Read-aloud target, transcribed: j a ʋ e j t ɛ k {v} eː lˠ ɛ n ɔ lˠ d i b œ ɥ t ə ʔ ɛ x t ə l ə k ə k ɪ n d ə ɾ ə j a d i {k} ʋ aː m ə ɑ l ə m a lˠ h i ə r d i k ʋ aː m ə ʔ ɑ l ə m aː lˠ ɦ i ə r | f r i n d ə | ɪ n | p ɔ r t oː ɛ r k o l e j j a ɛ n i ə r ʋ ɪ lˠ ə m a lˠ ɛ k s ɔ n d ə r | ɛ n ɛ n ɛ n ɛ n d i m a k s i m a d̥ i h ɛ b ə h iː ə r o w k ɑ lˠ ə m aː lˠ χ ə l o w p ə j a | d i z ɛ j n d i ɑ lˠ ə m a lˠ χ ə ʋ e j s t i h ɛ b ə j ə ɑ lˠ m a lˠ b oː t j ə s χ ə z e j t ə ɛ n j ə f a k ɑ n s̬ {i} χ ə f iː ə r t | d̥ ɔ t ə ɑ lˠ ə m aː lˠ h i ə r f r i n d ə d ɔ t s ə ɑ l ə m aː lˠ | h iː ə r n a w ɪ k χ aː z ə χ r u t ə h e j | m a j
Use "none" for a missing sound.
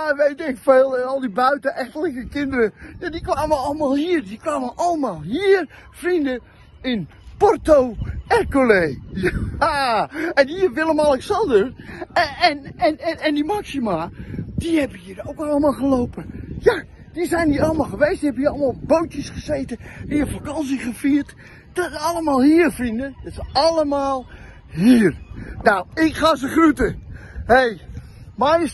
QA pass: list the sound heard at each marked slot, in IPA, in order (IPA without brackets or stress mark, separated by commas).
f, k, i